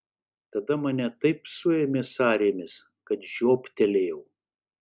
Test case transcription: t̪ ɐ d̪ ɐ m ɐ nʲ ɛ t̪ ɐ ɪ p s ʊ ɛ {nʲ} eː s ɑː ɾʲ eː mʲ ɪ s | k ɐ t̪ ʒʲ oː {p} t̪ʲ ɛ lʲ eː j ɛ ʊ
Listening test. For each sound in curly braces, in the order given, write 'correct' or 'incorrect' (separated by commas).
incorrect, correct